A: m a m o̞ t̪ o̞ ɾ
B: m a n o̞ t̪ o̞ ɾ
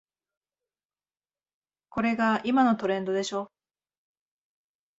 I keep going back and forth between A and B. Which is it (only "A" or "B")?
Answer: B